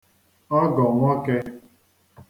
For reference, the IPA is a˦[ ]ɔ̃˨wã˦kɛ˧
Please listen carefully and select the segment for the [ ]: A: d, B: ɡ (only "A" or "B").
B